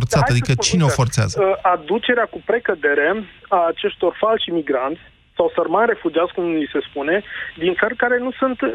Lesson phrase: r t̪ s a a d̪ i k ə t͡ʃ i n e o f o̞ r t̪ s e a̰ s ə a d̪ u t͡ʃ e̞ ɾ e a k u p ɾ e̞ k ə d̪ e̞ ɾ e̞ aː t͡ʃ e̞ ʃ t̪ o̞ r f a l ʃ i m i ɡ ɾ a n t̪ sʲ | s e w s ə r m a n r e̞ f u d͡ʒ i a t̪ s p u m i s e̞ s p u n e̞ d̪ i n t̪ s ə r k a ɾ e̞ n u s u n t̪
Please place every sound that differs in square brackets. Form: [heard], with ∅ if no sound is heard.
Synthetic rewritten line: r t̪ s a a d̪ i k ə t͡ʃ i n e o f o̞ r t̪ s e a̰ [z] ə a d̪ u t͡ʃ e̞ ɾ e a k u p ɾ e̞ k ə d̪ e̞ ɾ e̞ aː t͡ʃ e̞ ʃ t̪ o̞ r f a l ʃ i m i ɡ ɾ a n t̪ sʲ | s [a] w s ə r m a n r e̞ f u d͡ʒ i a t̪ s [k] u m i s e̞ s p u n e̞ d̪ i n t̪ s ə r k a ɾ e̞ n u s u n t̪